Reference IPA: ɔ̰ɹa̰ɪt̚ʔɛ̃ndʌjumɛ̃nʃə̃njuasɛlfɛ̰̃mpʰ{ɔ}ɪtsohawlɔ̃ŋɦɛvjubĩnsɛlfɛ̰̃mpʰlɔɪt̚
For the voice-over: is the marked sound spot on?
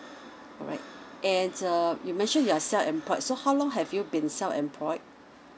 yes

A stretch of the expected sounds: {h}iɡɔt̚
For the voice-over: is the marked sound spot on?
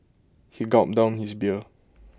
yes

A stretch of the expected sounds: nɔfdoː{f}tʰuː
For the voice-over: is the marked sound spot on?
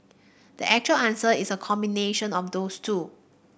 no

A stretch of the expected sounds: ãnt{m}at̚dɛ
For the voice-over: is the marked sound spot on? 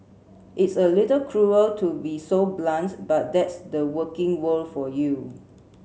no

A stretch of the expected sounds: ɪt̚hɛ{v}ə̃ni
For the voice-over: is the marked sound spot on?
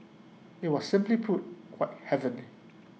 yes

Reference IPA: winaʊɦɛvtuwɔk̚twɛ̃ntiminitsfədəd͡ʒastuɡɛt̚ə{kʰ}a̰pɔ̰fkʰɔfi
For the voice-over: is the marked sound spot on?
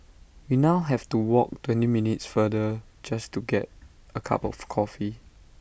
yes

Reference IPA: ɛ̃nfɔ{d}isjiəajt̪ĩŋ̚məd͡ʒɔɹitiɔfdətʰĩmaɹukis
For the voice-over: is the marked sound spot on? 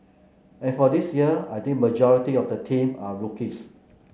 yes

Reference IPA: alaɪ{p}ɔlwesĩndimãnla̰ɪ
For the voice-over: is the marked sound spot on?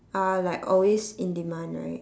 no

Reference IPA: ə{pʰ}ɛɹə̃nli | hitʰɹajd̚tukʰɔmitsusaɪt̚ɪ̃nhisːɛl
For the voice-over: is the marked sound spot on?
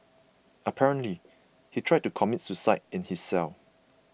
yes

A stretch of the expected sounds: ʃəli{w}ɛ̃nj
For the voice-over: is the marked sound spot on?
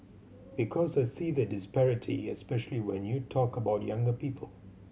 yes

